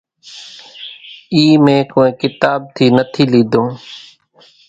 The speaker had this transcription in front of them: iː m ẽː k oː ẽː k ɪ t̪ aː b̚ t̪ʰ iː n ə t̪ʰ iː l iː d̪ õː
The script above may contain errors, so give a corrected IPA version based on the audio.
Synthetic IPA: iː m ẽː k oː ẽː k ɪ t̪ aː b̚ t̪ʰ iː n ə t̪ʰ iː l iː d̪ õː

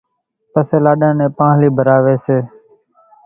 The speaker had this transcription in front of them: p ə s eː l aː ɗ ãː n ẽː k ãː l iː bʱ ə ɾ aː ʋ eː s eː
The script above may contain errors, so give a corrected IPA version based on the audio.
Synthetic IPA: p ə s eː l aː ɗ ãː n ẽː p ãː l iː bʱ ə ɾ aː ʋ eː s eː

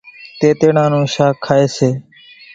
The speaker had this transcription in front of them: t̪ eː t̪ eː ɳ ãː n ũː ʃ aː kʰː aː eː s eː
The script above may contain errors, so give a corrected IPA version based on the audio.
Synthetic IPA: t̪ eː t̪ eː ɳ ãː n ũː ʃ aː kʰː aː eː s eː

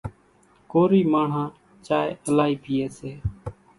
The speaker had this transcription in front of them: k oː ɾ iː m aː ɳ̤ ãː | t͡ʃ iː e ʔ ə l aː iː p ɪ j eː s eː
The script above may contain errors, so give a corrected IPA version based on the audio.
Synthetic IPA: k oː ɾ iː m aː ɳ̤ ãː | t͡ʃ aː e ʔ ə l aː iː p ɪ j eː s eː

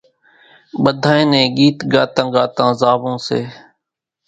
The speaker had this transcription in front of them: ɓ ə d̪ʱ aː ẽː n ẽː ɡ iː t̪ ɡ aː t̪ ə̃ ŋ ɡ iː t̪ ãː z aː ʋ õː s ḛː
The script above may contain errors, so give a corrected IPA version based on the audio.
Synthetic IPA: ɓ ə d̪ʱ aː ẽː n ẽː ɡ iː t̪ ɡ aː t̪ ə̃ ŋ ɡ aː t̪ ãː z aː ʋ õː s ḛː

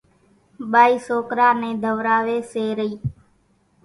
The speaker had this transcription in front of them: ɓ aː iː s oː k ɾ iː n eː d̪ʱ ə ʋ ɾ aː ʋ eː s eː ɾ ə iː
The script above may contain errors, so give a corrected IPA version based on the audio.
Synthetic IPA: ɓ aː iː s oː k ɾ aː n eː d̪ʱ ə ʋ ɾ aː ʋ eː s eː ɾ ə iː

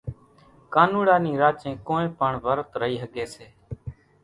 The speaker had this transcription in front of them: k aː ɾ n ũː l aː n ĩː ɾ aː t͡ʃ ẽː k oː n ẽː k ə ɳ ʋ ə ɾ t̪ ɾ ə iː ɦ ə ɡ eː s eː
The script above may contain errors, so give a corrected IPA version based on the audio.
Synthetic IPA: k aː n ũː ɽ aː n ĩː ɾ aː t͡ʃ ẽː k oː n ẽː p ə ɳ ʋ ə ɾ t̪ ɾ ə iː ɦ ə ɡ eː s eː

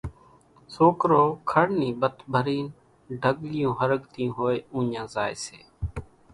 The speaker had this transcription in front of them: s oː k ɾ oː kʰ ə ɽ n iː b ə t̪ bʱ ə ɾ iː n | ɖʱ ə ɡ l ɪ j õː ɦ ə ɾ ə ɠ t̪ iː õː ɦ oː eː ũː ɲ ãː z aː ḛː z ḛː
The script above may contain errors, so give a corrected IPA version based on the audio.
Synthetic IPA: s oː k ɾ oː kʰ ə ɽ n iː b ə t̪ bʱ ə ɾ iː n | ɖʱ ə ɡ l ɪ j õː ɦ ə ɾ ə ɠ t̪ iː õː ɦ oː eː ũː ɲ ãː z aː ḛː s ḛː

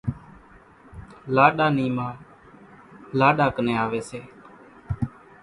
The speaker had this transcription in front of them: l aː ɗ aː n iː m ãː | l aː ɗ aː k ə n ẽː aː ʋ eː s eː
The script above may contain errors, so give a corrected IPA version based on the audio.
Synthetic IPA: l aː ɗ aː n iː m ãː | l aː ɗ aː k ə n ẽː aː ʋ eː s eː

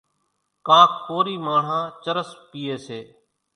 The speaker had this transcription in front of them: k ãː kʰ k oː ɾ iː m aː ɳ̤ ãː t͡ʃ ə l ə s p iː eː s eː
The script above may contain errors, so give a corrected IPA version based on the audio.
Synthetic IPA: k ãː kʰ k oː ɾ iː m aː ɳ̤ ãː t͡ʃ ə ɾ ə s p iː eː s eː

